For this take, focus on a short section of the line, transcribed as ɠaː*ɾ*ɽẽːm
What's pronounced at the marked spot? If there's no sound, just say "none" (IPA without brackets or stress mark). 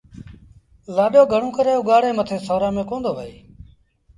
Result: none